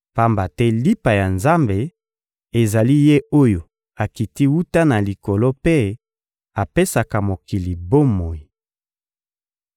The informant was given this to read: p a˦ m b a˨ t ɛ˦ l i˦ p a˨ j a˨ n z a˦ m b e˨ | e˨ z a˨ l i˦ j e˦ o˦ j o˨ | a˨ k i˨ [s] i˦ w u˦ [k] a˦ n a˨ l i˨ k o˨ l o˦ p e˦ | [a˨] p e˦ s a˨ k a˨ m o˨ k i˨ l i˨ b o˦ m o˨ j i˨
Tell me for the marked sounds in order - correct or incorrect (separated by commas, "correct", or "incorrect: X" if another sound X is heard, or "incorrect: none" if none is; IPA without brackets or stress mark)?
incorrect: t, incorrect: t, correct